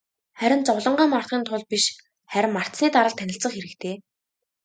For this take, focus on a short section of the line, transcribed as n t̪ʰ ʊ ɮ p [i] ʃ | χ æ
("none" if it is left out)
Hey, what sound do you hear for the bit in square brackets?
i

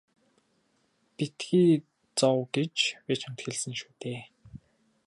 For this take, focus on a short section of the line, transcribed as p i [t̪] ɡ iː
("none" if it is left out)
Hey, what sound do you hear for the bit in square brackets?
t̪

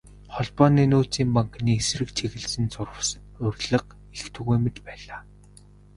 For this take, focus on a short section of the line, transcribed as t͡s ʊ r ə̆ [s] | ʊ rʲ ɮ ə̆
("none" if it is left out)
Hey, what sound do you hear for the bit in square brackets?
s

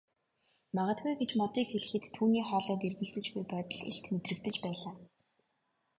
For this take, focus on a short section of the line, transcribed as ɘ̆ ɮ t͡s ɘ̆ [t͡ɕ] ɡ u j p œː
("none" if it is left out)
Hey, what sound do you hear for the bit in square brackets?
t͡ɕ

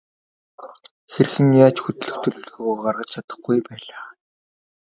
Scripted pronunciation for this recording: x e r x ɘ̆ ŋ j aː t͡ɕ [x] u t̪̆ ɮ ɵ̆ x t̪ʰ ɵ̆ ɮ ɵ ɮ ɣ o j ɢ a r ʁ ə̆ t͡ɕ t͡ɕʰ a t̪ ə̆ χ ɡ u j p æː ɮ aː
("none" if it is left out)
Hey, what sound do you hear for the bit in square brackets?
x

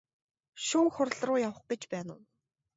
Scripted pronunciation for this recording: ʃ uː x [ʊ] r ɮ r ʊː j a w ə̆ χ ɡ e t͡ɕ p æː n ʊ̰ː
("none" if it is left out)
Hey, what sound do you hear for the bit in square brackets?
ʊ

